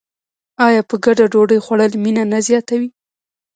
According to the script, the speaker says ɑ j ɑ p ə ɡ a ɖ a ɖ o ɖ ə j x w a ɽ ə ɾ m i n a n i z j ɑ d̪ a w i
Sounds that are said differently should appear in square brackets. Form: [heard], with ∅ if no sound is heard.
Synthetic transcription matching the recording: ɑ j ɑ p ə ɡ a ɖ a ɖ o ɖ ə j x w a ɽ ə [l] m i n a n [a] z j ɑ [t̪] a w i